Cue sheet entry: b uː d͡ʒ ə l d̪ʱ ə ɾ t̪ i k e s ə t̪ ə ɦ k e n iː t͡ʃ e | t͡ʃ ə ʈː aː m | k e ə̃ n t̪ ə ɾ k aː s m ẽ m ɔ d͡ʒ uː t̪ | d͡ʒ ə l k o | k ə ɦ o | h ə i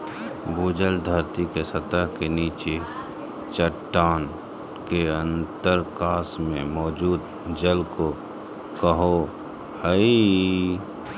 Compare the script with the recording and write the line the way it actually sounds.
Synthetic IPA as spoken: b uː d͡ʒ ə l d̪ʱ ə ɾ t̪ i k e s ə t̪ ə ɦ k e n iː t͡ʃ e | t͡ʃ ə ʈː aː n | k e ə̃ n t̪ ə ɾ k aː s m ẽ m ɔː d͡ʒ uː d̪ | d͡ʒ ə l k o | k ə ɦ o | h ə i